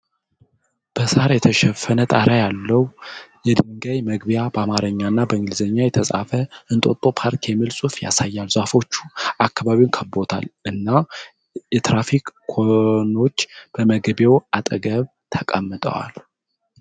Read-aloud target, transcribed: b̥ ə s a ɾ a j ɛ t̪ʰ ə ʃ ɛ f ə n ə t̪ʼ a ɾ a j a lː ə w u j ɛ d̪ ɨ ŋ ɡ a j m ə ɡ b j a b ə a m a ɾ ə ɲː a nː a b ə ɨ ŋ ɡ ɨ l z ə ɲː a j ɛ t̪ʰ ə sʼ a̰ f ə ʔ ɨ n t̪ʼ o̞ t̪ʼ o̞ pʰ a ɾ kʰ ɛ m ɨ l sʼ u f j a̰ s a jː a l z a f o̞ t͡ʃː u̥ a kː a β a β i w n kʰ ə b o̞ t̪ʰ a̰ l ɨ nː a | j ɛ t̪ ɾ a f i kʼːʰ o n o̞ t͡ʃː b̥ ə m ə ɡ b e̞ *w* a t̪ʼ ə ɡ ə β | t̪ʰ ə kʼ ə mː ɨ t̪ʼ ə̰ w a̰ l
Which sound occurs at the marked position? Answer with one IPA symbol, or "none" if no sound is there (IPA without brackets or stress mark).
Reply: w